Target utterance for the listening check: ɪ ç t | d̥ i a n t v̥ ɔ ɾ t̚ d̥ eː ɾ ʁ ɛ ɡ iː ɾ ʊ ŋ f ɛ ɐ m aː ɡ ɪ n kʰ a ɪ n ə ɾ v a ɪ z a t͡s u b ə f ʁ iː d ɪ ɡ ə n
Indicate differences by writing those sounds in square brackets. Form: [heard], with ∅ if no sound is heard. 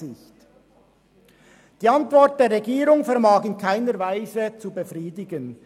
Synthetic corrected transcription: ɪ ç t | d̥ [iː] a n t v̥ ɔ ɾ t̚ d̥ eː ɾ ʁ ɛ ɡ iː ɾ ʊ ŋ f ɛ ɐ m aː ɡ ɪ n kʰ a ɪ n ə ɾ v a ɪ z [ə] t͡s u b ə f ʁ iː d ɪ ɡ ə n